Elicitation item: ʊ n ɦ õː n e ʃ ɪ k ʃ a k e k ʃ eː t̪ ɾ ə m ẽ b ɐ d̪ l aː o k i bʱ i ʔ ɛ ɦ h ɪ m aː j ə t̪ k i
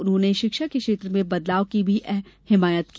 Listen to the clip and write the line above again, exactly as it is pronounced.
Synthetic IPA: ʊ n ɦ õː n e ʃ ɪ k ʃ a k e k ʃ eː t̪ ɾ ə m ẽ b ɐ d̪ l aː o k i bʱ i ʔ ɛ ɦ h ɪ m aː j ə t̪ k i